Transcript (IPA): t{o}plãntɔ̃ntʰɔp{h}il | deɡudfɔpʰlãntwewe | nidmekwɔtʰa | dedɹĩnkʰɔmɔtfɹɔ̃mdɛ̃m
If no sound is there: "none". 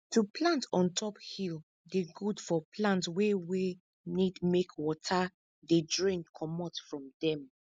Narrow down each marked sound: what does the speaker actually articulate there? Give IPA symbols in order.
u, h

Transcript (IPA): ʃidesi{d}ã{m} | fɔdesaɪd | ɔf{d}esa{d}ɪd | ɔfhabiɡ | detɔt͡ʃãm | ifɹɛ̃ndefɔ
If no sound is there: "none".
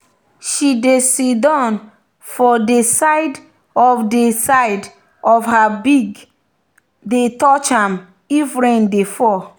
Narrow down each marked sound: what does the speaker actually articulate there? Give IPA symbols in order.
d, n, d, none

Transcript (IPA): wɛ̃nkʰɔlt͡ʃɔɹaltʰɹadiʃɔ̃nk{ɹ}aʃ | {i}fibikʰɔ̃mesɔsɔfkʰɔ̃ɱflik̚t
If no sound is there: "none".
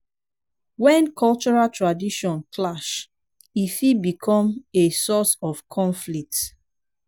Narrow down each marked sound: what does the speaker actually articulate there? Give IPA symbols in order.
l, i

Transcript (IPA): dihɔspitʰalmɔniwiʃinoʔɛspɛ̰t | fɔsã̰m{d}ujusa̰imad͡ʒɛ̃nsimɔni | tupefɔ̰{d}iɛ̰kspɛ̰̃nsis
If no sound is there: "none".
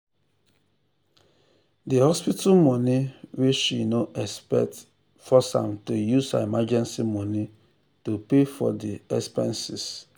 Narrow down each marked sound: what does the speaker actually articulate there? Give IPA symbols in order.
t, d

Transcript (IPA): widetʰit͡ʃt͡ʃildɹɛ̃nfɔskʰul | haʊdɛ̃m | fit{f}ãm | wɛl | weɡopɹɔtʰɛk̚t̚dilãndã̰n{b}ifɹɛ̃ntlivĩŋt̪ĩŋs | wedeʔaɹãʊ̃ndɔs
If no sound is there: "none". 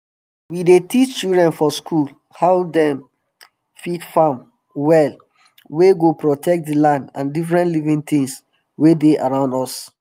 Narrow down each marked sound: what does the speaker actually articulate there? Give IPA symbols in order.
f, d

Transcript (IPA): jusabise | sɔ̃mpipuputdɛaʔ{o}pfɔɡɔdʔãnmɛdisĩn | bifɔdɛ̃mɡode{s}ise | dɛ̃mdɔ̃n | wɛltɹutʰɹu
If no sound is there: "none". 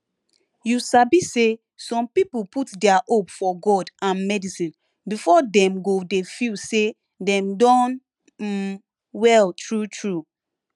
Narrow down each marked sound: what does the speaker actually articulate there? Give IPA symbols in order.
o, f

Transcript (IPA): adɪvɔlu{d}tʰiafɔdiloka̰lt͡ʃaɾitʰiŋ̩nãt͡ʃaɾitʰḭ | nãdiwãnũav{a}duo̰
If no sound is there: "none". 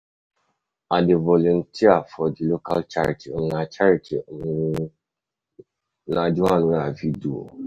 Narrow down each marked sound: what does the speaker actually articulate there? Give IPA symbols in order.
n, i

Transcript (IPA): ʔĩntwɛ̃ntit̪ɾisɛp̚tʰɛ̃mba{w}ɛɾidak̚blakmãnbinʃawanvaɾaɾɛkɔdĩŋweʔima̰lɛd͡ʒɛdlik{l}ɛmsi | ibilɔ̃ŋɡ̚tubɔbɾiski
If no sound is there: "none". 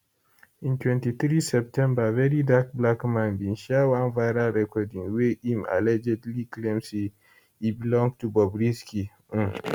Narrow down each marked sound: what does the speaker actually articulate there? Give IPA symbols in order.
v, l

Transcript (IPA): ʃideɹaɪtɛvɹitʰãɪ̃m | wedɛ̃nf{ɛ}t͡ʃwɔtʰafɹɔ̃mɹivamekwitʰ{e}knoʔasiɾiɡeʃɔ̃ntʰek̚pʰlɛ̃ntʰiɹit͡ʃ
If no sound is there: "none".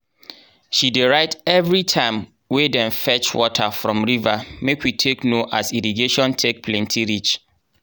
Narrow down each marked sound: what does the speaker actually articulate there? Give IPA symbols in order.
ɛ, e

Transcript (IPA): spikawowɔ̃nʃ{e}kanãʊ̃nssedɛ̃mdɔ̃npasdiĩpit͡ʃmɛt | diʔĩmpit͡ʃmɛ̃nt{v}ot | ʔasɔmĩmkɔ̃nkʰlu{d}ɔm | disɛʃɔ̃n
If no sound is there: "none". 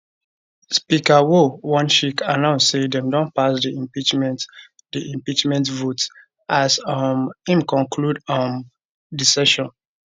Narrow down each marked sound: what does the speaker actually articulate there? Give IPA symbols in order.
i, v, d

